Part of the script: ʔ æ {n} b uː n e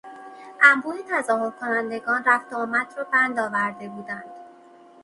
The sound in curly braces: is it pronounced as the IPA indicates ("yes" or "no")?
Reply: no